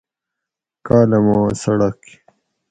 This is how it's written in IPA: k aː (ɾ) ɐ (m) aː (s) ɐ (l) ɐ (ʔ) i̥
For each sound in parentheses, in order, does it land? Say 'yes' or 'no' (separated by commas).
no, yes, yes, no, no